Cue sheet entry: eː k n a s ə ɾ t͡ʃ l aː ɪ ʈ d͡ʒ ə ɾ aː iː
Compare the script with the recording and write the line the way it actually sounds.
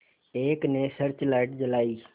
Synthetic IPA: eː k n e s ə ɾ t͡ʃ l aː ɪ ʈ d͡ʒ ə l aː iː